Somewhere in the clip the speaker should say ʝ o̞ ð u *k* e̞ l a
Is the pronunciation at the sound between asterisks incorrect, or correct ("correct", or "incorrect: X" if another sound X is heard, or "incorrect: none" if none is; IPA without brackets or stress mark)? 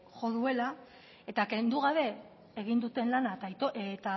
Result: incorrect: none